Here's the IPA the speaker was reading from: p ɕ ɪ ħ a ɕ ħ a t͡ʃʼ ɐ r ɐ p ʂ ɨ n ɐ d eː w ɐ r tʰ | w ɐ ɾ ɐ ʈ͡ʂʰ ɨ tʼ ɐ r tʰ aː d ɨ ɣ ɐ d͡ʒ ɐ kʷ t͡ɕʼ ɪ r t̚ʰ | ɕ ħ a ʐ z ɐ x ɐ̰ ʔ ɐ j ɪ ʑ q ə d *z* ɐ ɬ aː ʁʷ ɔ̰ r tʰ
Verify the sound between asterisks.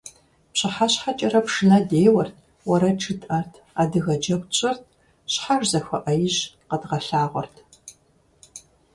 incorrect: ʁ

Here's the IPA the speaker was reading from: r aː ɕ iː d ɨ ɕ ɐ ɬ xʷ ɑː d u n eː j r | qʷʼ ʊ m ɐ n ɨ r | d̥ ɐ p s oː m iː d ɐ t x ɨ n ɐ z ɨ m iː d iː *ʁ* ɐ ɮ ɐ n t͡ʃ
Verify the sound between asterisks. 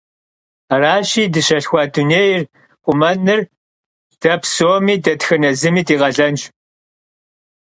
correct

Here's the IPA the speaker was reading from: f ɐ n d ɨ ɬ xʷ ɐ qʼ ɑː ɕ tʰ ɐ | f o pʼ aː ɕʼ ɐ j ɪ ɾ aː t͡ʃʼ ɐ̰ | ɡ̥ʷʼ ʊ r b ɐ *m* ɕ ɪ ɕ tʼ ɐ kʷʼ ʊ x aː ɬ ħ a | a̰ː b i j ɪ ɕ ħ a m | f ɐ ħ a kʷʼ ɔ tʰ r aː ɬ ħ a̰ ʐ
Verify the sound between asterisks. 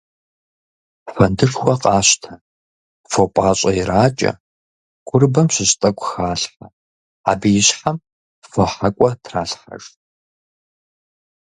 correct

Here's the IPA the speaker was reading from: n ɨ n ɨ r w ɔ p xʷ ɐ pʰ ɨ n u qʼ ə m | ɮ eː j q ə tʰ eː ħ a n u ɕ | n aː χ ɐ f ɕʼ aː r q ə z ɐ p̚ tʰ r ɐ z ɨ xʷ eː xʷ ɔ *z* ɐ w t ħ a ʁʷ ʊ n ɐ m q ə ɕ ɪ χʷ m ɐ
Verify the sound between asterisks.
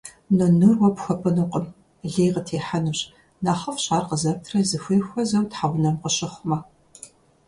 correct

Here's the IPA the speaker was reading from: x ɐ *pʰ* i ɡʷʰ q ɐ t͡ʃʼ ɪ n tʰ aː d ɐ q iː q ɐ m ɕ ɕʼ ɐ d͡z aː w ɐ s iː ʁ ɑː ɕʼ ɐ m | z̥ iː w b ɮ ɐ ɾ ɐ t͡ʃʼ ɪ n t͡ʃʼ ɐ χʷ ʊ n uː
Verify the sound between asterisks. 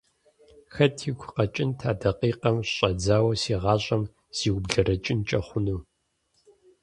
incorrect: tʰ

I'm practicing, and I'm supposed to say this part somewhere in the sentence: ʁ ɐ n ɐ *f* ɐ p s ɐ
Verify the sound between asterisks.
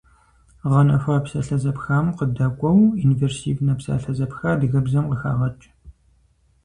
correct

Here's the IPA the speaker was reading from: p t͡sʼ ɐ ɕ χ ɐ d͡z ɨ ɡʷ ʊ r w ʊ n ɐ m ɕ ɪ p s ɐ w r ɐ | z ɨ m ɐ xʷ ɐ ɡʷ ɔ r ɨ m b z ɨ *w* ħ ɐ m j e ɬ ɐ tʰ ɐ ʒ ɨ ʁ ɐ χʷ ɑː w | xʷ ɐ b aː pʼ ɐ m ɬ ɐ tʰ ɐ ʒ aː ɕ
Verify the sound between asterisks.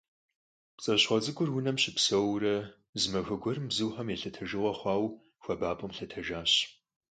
correct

